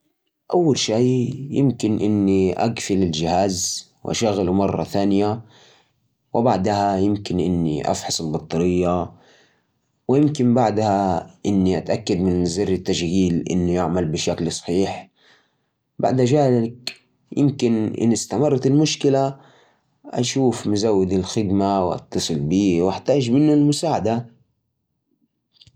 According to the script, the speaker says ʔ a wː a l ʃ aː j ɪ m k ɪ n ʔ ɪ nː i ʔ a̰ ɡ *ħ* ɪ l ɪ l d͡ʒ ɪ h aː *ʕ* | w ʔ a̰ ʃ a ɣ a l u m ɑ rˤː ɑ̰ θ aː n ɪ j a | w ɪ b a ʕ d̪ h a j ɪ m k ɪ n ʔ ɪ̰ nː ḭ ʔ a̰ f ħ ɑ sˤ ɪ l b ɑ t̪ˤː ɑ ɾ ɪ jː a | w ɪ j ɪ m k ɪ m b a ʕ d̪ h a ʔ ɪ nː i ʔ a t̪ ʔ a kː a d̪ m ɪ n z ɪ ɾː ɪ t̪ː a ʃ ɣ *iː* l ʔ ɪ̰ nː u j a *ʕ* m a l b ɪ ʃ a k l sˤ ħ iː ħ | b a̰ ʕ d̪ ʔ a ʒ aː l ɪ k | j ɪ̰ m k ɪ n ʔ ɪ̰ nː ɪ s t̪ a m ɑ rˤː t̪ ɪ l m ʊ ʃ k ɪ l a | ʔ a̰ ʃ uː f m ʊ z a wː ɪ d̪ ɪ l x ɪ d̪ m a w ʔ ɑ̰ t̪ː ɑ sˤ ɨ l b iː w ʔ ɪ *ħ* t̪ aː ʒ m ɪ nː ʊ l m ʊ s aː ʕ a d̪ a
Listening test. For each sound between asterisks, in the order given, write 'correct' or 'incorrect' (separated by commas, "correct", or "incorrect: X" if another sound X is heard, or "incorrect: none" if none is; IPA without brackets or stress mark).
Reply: incorrect: f, incorrect: z, correct, correct, correct